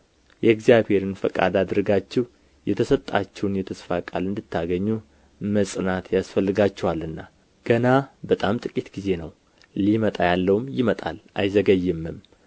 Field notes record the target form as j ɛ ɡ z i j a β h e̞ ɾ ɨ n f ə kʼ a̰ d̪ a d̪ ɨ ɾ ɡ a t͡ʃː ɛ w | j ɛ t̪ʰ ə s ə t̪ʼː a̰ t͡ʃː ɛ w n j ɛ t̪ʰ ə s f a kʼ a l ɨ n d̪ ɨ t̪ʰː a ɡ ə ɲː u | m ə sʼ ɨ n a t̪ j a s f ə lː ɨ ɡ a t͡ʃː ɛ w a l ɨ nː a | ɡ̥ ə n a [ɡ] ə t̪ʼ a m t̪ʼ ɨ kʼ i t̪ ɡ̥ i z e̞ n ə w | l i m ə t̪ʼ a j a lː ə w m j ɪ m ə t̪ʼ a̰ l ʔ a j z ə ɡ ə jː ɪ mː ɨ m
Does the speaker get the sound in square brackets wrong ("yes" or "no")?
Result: yes